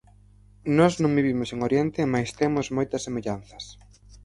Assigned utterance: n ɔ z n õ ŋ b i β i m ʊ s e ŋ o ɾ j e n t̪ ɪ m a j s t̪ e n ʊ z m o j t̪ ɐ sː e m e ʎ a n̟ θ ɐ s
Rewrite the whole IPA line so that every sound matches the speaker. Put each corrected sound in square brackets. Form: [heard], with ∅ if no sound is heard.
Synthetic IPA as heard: n ɔ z n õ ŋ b i β i m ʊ s e ŋ o ɾ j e n t̪ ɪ m a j s t̪ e [m] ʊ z m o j t̪ ɐ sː e m e ʎ a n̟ θ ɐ s